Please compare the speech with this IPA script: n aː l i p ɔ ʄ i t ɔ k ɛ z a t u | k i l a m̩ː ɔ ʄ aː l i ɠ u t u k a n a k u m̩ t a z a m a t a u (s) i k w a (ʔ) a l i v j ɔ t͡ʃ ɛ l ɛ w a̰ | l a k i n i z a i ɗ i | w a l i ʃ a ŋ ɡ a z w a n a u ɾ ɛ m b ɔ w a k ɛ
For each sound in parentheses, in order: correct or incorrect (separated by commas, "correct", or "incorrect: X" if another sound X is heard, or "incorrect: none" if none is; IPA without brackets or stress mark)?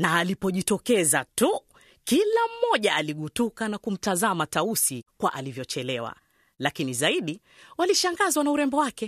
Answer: correct, correct